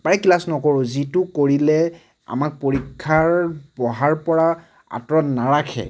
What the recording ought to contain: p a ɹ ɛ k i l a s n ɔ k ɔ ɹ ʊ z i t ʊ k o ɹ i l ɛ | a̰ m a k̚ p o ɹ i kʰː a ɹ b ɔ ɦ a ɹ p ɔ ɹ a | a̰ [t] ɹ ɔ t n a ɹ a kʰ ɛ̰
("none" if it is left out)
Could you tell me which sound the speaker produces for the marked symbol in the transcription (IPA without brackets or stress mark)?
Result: t